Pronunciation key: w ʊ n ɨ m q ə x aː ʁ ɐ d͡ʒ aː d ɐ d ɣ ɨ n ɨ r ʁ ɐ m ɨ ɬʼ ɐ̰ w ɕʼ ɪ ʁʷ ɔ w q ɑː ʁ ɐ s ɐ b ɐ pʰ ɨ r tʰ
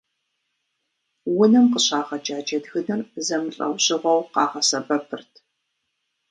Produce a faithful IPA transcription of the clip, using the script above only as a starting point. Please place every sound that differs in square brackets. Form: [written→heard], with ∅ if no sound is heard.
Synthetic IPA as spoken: w ʊ n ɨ m q ə [x→ɕ] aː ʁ ɐ d͡ʒ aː [d→d͡ʒ] ɐ d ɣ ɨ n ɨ r [ʁ→z] ɐ m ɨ ɬʼ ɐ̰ w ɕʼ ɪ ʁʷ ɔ w q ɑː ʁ ɐ s ɐ b ɐ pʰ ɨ r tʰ